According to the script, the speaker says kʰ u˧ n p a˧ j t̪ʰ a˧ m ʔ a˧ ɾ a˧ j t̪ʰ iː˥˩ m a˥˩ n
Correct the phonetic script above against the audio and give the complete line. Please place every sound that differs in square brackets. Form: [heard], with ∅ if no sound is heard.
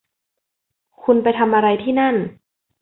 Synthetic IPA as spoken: kʰ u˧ n p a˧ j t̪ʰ a˧ m ʔ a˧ ɾ a˧ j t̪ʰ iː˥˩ [n] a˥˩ n